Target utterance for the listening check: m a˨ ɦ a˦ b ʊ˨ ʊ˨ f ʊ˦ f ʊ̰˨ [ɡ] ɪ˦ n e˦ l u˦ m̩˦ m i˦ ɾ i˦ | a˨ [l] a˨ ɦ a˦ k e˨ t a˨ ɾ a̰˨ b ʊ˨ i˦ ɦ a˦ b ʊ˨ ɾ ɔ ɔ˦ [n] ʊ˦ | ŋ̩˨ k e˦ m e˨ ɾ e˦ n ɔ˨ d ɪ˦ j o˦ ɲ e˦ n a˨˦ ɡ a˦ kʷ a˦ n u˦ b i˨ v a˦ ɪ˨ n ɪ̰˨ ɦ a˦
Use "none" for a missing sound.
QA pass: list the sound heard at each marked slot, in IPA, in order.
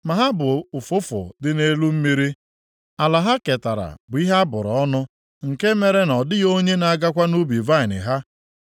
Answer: d, l, n

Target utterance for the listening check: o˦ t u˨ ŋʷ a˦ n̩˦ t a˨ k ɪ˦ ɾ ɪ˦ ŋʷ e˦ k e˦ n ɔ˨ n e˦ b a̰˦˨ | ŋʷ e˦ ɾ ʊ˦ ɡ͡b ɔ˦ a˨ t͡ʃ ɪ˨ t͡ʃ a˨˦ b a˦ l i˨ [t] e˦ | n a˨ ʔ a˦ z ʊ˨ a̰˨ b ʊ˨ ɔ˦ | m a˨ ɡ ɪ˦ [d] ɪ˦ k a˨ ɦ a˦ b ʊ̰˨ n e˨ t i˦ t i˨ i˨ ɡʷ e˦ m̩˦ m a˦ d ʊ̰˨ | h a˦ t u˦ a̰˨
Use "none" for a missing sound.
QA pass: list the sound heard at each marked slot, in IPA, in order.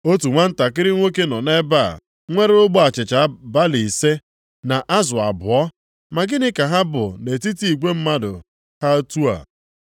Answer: s, n

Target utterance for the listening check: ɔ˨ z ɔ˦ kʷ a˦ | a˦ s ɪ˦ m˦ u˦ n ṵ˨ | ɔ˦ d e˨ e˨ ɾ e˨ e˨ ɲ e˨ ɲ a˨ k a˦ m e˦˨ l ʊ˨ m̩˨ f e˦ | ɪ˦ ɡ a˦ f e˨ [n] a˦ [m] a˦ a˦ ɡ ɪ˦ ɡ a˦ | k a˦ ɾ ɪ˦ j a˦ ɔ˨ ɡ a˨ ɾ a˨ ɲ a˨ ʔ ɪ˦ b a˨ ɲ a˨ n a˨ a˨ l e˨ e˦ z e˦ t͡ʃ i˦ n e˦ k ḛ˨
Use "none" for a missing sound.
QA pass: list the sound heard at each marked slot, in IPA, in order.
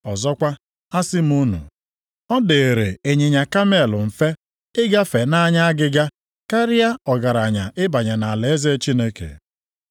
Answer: n, ɲ

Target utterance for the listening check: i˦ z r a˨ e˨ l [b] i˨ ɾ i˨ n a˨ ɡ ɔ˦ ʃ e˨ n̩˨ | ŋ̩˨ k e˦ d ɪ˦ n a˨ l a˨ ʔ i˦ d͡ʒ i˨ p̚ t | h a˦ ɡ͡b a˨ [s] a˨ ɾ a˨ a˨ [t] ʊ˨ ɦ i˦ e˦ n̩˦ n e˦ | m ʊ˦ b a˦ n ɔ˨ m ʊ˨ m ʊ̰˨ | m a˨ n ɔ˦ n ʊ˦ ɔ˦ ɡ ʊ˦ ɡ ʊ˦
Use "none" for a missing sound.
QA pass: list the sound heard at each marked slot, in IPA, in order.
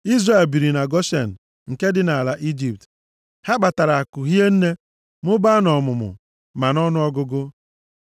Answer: b, t, k

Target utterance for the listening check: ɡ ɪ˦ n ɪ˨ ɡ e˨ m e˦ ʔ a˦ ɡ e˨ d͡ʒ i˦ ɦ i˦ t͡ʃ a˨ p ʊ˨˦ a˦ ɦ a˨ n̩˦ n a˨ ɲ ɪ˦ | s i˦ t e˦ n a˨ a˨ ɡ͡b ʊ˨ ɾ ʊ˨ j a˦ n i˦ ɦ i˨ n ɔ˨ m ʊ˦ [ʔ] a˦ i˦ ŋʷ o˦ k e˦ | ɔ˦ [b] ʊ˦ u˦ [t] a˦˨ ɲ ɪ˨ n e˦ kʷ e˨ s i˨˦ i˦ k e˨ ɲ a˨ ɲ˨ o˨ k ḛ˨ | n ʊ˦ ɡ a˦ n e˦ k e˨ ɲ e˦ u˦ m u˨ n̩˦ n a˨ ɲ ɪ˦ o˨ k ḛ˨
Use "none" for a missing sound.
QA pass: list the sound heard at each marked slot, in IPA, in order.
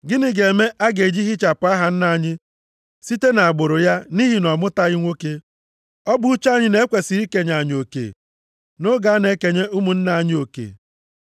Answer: t, b, t͡ʃ

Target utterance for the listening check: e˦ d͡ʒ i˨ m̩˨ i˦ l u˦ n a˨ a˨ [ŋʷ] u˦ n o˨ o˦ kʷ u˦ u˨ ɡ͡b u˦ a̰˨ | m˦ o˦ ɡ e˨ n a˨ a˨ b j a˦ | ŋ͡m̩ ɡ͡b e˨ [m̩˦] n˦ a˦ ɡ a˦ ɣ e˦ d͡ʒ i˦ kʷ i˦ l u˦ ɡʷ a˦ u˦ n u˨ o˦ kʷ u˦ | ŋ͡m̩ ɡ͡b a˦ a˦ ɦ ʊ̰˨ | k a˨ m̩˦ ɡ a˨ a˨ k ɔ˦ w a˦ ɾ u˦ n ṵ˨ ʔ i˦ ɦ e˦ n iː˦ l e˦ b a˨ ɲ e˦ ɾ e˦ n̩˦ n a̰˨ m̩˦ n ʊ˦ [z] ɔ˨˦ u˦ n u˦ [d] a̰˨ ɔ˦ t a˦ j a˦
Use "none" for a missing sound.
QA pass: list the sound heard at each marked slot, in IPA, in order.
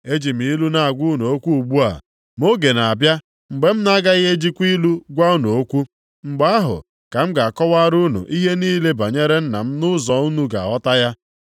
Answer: ɡʷ, m̩˦, z, ɡ

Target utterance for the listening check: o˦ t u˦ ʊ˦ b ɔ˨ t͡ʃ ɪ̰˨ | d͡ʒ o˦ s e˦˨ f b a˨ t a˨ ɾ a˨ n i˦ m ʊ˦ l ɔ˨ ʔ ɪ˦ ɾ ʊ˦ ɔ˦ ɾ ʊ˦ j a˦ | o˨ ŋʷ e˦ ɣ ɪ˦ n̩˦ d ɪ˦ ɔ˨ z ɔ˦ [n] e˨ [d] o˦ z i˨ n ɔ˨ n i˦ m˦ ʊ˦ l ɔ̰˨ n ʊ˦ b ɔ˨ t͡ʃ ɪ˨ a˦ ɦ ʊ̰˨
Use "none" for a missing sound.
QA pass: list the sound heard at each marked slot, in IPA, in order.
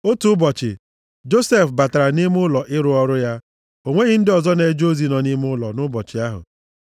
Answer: n, d͡ʒ

